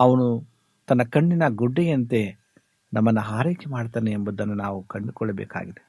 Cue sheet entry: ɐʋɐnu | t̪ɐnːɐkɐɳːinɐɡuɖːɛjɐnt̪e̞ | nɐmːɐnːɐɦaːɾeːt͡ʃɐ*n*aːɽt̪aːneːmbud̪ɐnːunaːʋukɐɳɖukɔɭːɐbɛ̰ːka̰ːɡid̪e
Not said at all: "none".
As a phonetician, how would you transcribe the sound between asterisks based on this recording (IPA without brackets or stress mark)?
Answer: m